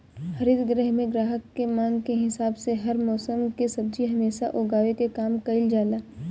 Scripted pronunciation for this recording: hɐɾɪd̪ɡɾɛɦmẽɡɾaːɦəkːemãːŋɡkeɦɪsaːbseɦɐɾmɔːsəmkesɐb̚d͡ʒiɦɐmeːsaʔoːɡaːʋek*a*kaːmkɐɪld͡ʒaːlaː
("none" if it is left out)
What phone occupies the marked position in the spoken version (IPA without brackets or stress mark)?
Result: e